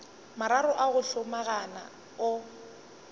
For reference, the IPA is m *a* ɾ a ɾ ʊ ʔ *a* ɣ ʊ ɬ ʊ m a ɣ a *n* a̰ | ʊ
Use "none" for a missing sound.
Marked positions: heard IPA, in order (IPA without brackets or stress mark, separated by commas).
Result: a, a, n